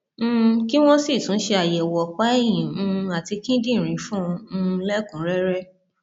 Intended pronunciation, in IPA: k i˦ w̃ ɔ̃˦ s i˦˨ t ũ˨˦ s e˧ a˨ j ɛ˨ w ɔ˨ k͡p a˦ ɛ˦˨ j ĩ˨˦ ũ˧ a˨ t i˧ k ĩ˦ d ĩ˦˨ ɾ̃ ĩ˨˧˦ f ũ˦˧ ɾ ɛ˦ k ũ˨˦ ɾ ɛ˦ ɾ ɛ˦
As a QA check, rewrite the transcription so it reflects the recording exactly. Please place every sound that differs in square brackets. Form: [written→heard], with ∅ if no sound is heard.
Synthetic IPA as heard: k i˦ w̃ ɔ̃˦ s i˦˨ t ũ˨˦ [s→ʃ] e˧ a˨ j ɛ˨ w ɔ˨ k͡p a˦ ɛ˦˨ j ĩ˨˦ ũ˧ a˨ t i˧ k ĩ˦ d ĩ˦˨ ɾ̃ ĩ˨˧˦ f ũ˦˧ [ɾ→l] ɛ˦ k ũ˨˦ ɾ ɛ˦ ɾ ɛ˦